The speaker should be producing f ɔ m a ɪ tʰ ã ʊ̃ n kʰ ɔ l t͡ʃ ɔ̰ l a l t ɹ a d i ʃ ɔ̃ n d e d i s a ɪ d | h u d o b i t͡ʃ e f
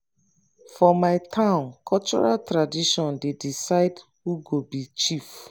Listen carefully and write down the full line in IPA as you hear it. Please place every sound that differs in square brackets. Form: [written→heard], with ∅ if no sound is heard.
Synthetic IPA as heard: f ɔ m a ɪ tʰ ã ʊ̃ n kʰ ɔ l t͡ʃ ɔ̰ [l→ɹ] a l t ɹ a d i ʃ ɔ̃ n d e d i s a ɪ d | h u [d→ɡ] o b i t͡ʃ [e→i] f